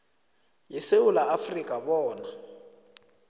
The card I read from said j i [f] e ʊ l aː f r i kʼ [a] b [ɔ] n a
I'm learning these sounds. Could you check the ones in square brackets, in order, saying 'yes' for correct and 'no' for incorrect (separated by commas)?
no, yes, no